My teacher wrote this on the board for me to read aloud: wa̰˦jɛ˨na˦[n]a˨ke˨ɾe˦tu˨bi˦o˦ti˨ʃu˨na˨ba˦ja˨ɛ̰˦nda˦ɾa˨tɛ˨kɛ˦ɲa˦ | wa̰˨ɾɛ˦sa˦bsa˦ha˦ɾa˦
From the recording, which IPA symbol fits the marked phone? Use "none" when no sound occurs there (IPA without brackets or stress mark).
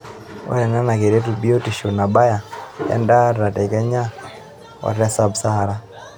n